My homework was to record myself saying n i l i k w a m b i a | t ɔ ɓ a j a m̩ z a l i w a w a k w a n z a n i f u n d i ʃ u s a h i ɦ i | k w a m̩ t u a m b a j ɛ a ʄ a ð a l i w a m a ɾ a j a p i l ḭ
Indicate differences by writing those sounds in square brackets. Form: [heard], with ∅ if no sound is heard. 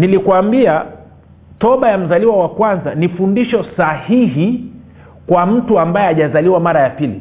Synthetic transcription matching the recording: n i l i k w a m b i a | t ɔ ɓ a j a m̩ z a l i w a w a k w a n z a n i f u n d i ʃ [ɔ] s a h i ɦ i | k w a m̩ t u a m b a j ɛ a ʄ a [z] a l i w a m a ɾ a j a p i l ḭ